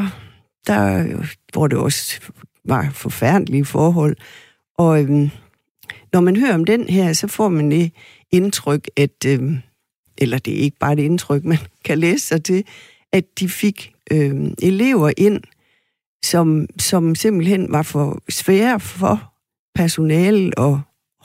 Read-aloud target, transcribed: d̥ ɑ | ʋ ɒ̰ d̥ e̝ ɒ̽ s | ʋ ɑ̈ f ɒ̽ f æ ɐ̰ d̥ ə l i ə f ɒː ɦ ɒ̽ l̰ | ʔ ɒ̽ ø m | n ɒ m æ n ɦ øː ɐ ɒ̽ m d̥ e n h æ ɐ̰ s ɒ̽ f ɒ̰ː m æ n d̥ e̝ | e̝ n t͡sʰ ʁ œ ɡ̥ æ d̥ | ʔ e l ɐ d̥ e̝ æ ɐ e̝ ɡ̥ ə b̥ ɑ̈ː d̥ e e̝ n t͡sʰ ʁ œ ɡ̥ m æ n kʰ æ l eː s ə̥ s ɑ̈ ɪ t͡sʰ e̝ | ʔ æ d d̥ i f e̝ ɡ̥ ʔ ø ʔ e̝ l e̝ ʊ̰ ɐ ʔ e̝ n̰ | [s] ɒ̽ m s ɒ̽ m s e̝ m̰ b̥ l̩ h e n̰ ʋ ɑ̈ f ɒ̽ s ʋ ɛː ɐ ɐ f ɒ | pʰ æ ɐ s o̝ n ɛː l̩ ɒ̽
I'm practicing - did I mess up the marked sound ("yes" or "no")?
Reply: no